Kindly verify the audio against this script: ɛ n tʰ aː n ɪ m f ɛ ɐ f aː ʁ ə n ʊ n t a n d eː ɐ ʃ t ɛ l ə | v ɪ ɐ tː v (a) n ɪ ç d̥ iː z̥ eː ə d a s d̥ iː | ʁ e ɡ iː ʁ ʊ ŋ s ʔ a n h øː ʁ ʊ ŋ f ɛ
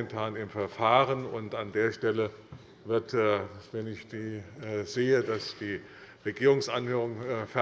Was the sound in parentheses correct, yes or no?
no